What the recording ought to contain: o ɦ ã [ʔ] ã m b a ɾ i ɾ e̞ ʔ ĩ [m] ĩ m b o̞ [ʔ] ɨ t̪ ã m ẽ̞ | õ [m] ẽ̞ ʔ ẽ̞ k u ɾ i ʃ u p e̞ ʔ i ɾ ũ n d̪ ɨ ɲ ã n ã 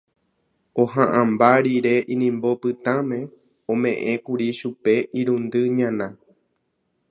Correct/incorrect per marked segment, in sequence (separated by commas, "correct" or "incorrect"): correct, incorrect, incorrect, correct